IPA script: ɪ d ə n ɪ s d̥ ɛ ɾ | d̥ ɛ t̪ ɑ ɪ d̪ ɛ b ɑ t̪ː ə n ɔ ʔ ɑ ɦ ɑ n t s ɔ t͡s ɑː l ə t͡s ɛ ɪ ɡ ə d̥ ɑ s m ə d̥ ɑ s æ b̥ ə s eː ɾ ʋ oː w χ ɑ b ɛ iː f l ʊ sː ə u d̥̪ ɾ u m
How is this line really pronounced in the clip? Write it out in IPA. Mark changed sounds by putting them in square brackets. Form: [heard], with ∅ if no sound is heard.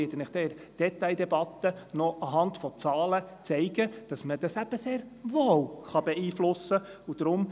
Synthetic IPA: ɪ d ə n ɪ [χ] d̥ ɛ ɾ | d̥ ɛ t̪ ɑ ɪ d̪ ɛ b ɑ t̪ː ə n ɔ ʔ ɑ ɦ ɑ n t [f] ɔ t͡s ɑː l ə t͡s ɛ ɪ ɡ ə d̥ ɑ s m ə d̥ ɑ s æ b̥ ə s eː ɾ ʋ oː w χ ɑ b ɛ iː f l ʊ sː ə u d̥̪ ɾ [ʊ] m